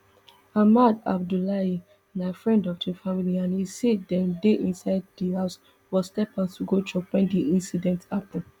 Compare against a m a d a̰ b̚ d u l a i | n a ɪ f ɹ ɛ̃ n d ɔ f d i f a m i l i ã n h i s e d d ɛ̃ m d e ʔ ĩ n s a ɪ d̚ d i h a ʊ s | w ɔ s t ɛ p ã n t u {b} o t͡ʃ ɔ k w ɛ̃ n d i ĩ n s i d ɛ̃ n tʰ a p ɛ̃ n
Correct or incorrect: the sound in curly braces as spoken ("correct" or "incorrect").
incorrect